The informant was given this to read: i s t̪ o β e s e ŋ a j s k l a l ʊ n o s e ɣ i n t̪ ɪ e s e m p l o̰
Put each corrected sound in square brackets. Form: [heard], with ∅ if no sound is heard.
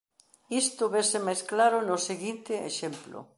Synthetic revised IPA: i s t̪ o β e s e [m] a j s k l a [ɾ] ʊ n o s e ɣ i n t̪ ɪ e [ʃ] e m p l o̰